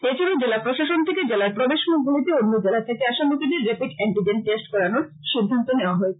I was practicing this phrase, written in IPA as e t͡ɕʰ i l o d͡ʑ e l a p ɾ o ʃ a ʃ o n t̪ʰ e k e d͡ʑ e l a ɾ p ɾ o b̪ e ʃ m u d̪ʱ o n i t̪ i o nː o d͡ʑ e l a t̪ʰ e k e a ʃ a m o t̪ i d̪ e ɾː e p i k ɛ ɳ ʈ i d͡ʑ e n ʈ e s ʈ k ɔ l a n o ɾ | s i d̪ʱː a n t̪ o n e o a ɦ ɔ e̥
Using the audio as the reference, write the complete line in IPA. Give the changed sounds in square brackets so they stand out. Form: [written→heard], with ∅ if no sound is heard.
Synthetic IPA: e t͡ɕʰ i l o d͡ʑ e l a p ɾ o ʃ a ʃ o n t̪ʰ e k e d͡ʑ e l a ɾ p ɾ o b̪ e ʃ m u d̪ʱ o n i t̪ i o nː o d͡ʑ e l a t̪ʰ e k e a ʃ a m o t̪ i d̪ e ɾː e p i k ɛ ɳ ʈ i d͡ʑ e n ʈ e s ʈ k ɔ [l→ɾ] a n o ɾ | [s→ʃ] i d̪ʱː a n t̪ o n e o a ɦ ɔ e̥